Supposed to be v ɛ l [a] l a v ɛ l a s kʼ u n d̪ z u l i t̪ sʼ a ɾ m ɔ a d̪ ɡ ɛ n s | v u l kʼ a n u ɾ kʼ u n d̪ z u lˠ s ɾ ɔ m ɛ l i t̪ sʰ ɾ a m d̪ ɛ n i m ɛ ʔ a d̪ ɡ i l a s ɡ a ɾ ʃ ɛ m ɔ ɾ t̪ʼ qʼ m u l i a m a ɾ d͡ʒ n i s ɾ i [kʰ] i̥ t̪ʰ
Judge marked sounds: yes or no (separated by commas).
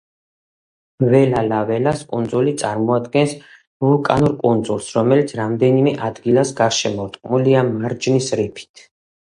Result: yes, no